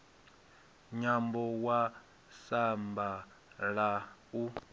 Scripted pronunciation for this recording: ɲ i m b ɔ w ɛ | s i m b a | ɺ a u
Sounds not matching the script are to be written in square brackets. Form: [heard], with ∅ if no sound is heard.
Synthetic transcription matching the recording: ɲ [a] m b ɔ w [a] | s [a] m b a | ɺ a u